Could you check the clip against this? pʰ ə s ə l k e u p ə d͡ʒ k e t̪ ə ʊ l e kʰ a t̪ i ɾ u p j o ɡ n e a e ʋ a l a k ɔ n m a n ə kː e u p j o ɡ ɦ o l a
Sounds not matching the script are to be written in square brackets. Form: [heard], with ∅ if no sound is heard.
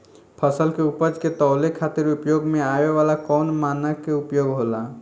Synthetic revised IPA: pʰ ə s ə l k e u p ə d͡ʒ k e t̪ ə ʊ l e kʰ a t̪ i ɾ u p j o ɡ [m] e a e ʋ a l a k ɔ n m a n ə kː e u p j o ɡ ɦ o l a